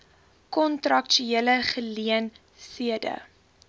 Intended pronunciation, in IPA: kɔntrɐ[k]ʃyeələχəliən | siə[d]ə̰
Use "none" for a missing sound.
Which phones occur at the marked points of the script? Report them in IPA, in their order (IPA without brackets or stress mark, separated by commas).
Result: k, d